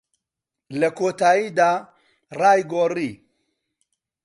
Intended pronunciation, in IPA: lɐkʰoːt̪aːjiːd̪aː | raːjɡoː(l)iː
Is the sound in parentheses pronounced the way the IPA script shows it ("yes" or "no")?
no